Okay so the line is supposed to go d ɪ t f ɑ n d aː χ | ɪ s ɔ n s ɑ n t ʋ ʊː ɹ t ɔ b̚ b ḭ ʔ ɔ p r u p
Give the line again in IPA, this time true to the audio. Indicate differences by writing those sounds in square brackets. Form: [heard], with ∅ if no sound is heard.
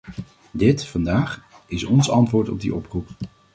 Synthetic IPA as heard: d ɪ t f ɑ n d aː χ | ɪ s ɔ n s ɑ n t ʋ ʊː ɹ t ɔ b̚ [d] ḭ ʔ ɔ p r u p